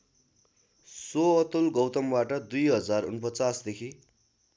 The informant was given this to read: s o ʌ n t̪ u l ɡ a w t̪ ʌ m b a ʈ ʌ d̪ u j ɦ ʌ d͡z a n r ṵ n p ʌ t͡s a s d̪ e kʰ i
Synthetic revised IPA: s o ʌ t̪ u l ɡ ʌ w t̪ ʌ m b a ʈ ʌ d̪ u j ɦ ʌ d͡z a r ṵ n p ʌ t͡s a s d̪ e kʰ i